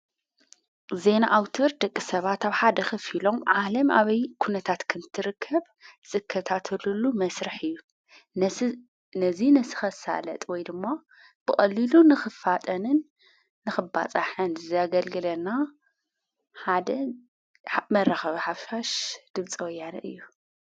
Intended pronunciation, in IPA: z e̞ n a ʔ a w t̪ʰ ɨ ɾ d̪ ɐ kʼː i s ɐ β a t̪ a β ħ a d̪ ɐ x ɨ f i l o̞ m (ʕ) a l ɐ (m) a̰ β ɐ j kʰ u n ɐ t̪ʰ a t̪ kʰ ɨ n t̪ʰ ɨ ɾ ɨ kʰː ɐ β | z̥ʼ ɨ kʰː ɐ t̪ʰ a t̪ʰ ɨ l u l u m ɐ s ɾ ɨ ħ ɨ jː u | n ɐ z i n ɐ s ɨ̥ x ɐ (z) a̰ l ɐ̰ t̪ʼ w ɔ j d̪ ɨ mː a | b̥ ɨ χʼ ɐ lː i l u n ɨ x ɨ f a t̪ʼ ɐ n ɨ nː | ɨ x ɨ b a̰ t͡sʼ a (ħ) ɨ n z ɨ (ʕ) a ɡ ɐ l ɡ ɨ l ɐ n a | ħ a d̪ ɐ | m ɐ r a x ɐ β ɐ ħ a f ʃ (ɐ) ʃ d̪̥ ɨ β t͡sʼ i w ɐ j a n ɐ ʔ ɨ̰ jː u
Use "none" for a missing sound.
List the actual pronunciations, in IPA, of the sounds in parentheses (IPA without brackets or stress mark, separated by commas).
ʕ, m, s, ħ, z, a